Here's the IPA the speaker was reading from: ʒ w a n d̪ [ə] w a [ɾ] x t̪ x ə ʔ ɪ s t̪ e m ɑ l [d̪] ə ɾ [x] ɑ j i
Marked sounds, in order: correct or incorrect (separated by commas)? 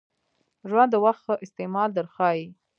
correct, incorrect, correct, correct